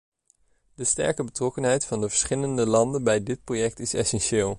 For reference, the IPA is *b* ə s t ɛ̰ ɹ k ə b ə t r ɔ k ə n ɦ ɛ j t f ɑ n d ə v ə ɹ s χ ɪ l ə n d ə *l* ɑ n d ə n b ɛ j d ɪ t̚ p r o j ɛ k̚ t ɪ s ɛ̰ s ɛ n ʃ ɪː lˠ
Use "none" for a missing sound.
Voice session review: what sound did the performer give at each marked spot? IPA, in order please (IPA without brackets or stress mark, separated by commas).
d, l